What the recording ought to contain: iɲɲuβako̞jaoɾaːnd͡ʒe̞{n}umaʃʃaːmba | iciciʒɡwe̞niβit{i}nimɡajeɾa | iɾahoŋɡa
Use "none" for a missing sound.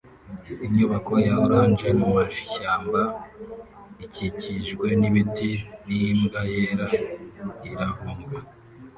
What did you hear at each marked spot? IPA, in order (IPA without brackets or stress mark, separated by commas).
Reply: m, i